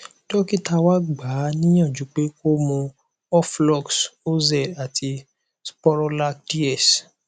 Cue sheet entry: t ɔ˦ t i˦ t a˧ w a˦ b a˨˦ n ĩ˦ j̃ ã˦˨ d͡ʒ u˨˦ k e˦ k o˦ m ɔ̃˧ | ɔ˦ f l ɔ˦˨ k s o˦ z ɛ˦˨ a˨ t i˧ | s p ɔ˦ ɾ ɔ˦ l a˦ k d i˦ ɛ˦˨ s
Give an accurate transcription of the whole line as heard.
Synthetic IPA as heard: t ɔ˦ k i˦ t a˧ w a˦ ɡ͡b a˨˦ n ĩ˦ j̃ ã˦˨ d͡ʒ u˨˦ k͡p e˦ k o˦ m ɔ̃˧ | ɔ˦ f l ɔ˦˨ k s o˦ z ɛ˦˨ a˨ t i˧ | s p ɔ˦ ɾ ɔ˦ l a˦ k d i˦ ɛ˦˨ s